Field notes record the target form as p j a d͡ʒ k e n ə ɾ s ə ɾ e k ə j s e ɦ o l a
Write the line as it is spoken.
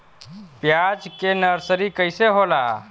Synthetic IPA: p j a d͡ʒ k e n ə ɾ s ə ɾ i k ə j s e ɦ o l a

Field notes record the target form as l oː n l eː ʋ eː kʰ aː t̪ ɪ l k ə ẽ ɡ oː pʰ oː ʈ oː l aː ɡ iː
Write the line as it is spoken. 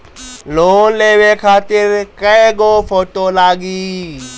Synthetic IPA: l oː n l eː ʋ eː kʰ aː t̪ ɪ ɾ k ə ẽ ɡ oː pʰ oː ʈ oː l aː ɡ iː

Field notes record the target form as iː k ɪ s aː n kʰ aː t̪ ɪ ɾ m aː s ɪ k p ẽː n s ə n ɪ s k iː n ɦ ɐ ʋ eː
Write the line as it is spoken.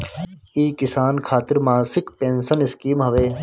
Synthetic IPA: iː k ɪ s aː n kʰ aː t̪ ɪ ɾ m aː s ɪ k p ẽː n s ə n ɪ s k iː m ɦ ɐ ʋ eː

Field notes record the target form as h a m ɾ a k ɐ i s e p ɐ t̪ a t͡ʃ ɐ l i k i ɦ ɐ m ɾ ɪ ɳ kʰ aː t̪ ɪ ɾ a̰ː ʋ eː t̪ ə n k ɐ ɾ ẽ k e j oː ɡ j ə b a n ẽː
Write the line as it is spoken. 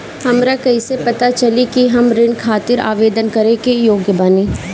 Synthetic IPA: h ɐ m ɾ a k ɐ i s e p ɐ t̪ a t͡ʃ ɐ l i k i ɦ ɐ m ɾ ɪ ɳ kʰ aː t̪ ɪ ɾ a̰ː ʋ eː d̪ ə n k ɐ ɾ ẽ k e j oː ɡ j ə b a n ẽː

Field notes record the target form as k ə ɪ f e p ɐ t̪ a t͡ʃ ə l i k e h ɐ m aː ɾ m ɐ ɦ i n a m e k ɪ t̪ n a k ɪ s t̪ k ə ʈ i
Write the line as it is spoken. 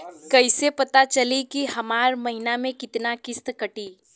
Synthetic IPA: k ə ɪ s e p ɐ t̪ a t͡ʃ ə l i k i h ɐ m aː ɾ m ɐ ɦ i n a m ẽ k ɪ t̪ n a k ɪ s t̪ k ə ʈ i

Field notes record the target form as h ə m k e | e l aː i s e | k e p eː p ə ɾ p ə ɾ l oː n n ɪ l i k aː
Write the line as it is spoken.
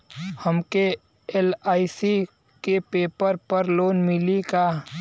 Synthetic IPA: h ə m k e | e l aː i s i | k e p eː p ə ɾ p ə ɾ l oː n m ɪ l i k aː

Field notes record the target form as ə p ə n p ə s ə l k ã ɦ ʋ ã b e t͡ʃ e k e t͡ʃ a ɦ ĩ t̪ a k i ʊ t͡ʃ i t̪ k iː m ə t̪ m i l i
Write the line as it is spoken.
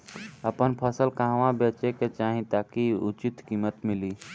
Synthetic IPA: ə p ə n pʰ ə s ə l k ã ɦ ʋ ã b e t͡ʃ e k e t͡ʃ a ɦ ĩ t̪ a k i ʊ t͡ʃ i t̪ k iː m ə t̪ m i l i

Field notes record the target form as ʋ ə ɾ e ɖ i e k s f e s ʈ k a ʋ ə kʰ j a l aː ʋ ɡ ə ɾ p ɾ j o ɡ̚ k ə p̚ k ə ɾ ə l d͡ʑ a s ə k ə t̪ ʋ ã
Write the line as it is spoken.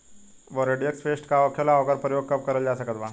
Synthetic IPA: ʋ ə ɾ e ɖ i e k s f e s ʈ k a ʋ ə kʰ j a l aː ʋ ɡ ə ɾ p ɾ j o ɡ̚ k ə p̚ k ə ɾ ə l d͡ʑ a s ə k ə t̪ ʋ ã

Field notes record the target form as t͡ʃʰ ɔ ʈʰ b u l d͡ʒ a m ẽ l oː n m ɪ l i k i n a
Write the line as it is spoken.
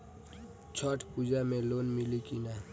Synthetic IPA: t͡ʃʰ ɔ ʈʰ p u d͡ʒ a m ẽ l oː n m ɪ l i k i n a

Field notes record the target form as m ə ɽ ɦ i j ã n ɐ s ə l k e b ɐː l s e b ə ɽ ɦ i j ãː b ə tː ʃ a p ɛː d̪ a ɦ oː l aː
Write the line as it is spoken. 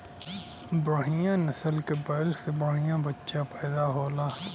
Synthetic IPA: b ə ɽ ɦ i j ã n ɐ s ə l k e b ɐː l s e b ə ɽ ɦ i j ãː b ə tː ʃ a p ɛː d̪ a ɦ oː l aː

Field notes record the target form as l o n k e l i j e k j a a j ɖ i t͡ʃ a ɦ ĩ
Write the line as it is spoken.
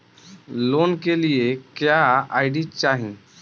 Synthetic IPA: l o n k e l i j e k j a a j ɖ i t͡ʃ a ɦ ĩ

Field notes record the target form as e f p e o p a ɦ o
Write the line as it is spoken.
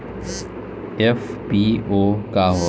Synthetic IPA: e f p i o k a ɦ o

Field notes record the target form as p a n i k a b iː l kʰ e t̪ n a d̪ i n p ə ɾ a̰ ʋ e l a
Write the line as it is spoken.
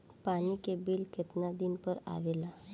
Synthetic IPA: p a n i k e b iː l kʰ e t̪ n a d̪ i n p ə ɾ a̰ ʋ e l a

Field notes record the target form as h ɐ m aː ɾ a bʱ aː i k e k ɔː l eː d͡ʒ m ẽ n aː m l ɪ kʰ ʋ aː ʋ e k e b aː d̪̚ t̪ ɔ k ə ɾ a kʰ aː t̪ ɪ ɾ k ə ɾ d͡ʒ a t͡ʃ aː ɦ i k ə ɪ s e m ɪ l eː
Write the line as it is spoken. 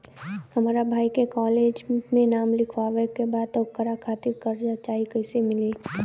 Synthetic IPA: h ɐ m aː ɾ a bʱ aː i k e k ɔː l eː d͡ʒ m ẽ n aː m l ɪ kʰ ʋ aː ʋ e k e b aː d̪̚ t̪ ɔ k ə ɾ a kʰ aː t̪ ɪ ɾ k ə ɾ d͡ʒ a t͡ʃ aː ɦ i k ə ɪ s e m ɪ l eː

